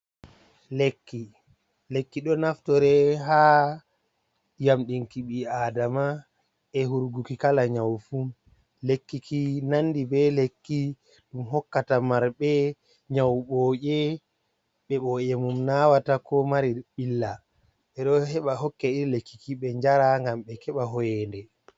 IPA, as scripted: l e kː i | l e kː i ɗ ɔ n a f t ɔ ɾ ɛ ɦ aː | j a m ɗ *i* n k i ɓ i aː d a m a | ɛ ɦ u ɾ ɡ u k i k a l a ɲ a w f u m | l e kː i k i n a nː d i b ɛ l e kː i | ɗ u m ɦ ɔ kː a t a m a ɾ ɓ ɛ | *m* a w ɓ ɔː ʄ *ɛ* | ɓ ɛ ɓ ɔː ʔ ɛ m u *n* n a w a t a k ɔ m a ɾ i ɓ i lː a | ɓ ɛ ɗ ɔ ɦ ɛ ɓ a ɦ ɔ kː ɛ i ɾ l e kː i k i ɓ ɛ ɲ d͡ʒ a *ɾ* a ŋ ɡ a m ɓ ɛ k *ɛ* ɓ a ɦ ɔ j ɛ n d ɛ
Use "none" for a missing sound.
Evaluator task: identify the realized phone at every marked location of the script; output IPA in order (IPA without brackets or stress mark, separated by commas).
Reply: i, ɲ, ɛ, m, ɾ, ɛ